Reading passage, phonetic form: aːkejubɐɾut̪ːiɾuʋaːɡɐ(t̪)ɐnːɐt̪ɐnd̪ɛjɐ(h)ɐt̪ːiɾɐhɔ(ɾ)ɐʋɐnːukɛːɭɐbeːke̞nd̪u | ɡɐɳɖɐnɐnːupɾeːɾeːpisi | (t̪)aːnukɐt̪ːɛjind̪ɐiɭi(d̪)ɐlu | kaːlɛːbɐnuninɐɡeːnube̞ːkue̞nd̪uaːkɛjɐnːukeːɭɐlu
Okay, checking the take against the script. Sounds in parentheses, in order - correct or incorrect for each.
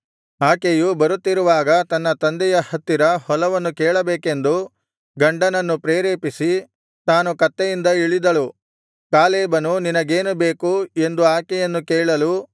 correct, correct, incorrect: l, correct, correct

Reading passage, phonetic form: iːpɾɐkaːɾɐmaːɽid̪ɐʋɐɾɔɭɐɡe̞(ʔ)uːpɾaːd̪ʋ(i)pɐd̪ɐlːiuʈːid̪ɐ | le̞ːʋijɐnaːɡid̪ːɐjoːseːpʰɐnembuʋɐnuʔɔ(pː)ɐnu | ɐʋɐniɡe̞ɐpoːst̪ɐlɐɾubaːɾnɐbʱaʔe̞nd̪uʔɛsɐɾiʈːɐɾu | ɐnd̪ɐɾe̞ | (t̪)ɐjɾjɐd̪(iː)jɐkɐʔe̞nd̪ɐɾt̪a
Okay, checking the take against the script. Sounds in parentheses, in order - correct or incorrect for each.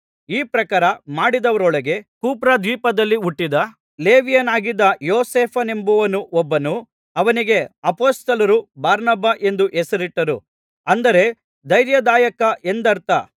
incorrect: k, incorrect: iː, incorrect: bː, incorrect: d̪, incorrect: aː

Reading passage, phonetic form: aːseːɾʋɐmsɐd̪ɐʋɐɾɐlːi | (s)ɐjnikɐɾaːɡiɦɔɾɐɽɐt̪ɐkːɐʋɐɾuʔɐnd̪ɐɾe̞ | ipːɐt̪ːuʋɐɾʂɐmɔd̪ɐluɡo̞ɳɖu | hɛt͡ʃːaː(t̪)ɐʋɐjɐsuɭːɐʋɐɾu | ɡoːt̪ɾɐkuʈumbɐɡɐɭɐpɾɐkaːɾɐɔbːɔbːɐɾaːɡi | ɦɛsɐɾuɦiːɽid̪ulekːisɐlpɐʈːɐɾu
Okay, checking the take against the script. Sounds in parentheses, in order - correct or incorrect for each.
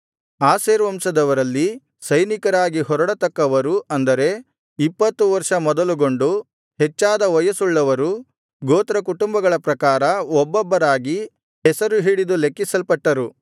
correct, incorrect: d̪

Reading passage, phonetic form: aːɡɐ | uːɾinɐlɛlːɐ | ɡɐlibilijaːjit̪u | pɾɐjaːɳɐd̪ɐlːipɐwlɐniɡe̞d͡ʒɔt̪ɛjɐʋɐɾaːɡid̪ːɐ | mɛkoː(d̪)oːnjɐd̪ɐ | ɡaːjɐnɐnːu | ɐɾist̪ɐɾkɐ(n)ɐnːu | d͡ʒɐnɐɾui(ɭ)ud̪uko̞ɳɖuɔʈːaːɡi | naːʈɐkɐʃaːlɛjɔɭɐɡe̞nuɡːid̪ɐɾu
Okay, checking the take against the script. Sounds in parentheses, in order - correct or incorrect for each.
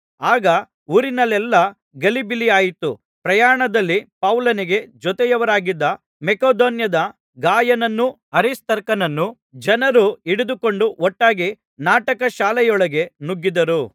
correct, correct, incorrect: ɽ

